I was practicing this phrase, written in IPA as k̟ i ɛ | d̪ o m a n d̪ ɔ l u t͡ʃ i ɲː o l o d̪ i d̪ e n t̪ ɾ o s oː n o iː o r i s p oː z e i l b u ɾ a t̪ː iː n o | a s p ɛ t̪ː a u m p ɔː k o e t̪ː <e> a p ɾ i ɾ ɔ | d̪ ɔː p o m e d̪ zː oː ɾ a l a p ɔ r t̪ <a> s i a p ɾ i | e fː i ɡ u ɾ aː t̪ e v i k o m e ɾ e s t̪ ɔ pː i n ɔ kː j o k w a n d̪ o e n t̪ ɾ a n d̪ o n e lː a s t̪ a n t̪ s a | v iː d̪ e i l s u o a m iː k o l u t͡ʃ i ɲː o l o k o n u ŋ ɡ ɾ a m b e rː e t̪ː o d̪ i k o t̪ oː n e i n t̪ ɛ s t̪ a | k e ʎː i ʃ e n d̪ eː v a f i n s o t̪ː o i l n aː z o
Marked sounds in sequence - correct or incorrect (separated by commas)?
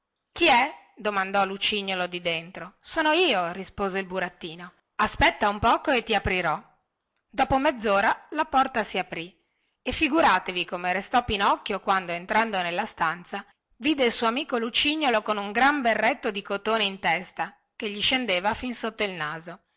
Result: incorrect, correct